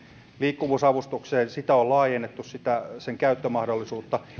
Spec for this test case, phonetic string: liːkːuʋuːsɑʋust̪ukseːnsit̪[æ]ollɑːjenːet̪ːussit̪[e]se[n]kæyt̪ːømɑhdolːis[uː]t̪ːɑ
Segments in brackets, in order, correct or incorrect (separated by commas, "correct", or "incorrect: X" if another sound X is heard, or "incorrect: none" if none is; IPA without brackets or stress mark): correct, incorrect: æ, incorrect: ŋ, correct